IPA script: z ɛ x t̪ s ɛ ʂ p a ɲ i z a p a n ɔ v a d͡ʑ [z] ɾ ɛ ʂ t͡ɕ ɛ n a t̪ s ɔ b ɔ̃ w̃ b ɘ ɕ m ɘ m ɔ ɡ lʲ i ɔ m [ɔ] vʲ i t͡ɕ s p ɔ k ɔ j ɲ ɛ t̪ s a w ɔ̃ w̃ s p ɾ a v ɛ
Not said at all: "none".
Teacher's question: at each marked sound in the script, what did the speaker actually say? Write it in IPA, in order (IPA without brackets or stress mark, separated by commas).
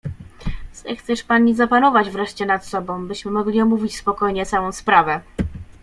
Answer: v, u